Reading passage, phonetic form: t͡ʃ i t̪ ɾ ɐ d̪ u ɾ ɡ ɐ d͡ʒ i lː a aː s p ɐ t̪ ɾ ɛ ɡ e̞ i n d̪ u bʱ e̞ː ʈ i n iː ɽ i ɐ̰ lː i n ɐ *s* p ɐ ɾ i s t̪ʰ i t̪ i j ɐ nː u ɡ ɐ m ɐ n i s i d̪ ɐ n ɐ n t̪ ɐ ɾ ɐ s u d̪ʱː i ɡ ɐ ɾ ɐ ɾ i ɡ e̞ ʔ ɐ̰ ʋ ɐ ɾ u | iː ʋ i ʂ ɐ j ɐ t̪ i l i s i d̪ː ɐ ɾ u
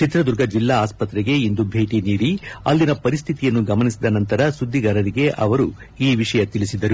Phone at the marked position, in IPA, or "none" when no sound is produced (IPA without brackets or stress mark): none